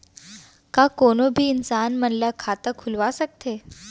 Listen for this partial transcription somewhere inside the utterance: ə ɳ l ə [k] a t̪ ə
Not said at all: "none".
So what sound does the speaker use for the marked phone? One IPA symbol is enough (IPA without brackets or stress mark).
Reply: kʰ